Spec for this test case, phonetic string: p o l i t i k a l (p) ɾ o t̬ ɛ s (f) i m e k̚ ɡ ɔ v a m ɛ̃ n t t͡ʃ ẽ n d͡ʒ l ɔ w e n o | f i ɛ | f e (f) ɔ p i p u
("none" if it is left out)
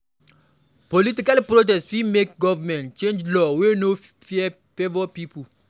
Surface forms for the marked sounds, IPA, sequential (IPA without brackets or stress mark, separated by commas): p, f, v